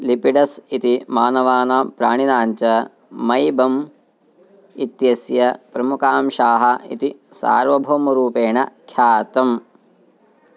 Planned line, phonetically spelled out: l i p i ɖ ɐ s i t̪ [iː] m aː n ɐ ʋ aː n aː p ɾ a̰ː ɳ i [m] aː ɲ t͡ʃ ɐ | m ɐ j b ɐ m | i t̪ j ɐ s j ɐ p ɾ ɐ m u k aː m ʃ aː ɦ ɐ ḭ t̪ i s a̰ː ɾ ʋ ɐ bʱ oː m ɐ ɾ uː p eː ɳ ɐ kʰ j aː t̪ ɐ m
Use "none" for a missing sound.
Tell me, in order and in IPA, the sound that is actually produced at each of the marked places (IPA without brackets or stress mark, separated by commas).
i, n